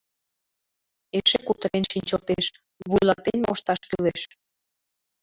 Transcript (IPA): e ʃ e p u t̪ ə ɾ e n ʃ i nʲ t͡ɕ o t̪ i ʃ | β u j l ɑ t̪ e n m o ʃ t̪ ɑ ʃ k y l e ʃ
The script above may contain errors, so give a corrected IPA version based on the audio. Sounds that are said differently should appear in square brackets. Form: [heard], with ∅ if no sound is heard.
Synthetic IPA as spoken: e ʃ e [k] u t̪ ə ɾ e n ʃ i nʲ t͡ɕ o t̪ [e] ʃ | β u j l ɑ t̪ e n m o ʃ t̪ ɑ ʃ k y l e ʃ